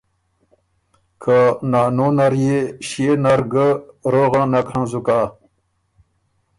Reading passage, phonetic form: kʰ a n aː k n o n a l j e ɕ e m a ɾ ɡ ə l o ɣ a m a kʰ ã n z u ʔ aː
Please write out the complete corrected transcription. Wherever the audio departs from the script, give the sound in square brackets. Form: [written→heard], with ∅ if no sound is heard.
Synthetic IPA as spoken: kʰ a n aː [k→∅] n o n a [l→ɾ] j e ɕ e [m→n] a ɾ ɡ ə [l→ɾ] o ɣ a [m→n] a kʰ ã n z u [ʔ→k] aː